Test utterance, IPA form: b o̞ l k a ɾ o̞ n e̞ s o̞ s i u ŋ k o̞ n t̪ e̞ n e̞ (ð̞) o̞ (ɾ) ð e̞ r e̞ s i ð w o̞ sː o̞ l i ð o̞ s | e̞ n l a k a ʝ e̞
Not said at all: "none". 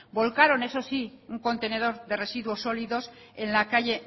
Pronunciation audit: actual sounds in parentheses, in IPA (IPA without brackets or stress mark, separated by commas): ð̞, ɾ